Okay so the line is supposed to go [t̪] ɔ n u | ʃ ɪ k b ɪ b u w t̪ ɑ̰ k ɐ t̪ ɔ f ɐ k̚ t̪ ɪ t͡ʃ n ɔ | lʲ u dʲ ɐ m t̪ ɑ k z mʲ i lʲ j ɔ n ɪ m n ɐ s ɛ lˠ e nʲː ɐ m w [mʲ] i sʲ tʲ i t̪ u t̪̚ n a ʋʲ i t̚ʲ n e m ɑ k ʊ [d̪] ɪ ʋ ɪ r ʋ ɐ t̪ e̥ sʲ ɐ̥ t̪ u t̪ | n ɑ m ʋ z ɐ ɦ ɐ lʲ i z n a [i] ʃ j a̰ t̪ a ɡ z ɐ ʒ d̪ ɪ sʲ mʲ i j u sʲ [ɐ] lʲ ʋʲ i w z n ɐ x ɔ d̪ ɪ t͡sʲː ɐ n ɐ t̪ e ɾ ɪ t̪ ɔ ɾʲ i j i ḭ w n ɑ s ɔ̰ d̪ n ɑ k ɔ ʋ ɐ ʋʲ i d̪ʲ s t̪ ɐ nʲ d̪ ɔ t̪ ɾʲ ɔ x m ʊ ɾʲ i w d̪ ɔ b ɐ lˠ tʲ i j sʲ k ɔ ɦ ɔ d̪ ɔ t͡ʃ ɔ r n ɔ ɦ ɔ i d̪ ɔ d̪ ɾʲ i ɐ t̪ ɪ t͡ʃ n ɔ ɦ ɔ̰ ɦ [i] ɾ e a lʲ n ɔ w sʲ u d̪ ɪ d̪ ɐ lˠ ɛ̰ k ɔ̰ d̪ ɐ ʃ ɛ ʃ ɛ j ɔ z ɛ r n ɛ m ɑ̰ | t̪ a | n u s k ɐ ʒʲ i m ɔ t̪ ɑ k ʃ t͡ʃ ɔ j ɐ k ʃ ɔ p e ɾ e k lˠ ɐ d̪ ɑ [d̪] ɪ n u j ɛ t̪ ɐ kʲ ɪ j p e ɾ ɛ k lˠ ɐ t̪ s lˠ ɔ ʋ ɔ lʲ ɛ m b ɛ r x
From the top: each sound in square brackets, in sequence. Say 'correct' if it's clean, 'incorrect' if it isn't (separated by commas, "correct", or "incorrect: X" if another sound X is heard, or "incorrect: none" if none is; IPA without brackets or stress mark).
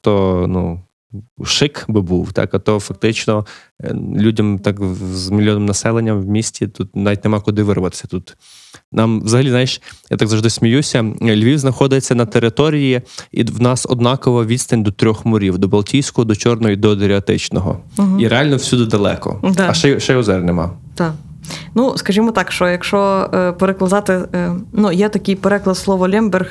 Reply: correct, correct, correct, incorrect: j, correct, correct, incorrect: t̪